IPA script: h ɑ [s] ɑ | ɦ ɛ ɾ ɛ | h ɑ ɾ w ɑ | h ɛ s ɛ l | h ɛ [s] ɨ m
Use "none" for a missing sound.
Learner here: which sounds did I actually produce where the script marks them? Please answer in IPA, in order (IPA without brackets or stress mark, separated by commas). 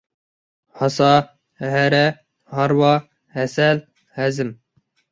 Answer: s, z